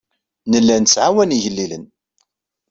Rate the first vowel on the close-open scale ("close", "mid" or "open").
mid